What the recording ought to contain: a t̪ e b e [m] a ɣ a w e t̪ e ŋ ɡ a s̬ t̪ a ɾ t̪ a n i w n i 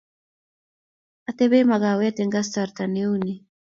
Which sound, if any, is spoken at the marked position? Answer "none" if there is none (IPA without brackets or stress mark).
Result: m